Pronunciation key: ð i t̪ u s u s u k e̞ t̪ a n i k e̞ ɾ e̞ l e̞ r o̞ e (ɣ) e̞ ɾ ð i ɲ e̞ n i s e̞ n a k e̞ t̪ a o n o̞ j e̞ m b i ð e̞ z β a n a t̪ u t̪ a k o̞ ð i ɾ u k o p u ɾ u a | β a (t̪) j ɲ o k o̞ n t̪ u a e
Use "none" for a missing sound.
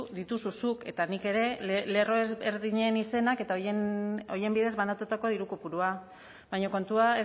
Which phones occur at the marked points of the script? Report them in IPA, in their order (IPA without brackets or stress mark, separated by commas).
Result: z, none